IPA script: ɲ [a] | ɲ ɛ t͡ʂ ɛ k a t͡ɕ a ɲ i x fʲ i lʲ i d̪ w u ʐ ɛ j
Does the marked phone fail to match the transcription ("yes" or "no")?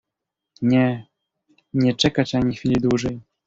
yes